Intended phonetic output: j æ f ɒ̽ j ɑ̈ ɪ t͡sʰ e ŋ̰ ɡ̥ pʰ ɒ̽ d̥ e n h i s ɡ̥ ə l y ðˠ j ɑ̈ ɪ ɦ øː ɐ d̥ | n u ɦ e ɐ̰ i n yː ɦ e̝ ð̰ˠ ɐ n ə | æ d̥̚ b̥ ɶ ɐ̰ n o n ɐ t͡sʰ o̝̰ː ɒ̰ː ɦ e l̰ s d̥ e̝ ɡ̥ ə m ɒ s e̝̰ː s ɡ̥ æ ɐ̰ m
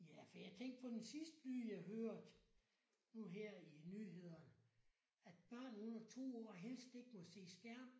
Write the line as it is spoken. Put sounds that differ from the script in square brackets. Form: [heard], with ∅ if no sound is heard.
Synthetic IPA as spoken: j æ f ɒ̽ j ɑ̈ ɪ t͡sʰ e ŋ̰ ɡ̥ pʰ ɒ̽ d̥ e n [s] i s [d̥] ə l y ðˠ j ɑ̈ ɪ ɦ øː ɐ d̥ | n u ɦ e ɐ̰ i n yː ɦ e̝ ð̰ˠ ɐ n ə | æ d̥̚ b̥ ɶ ɐ̰ n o n ɐ t͡sʰ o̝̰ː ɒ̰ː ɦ e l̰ s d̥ e̝ ɡ̥ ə m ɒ s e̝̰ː s ɡ̥ æ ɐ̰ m